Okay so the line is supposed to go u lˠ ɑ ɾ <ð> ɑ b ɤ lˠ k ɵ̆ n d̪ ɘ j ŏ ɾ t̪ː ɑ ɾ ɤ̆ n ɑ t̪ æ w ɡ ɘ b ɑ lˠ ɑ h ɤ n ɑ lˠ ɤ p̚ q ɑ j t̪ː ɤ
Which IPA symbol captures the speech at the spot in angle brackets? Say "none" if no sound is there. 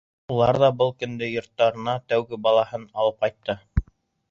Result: ð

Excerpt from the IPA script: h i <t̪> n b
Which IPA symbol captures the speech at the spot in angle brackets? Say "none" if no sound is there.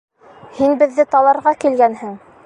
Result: none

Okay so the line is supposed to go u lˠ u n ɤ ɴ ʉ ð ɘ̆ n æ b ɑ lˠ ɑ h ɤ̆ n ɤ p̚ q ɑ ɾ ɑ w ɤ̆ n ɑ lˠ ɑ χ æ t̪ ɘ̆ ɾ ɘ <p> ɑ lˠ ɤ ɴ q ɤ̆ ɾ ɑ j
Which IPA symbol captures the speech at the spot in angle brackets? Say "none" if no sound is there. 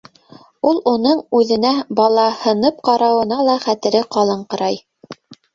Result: q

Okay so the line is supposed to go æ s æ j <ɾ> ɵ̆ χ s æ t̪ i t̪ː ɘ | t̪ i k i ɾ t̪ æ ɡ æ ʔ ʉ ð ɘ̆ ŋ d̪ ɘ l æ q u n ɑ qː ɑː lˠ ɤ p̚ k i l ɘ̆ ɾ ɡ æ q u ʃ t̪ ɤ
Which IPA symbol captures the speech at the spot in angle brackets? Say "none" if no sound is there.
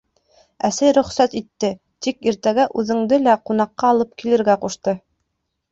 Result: ɾ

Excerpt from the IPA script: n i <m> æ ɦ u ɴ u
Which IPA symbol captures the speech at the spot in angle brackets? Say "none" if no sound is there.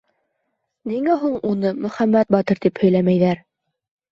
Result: ŋ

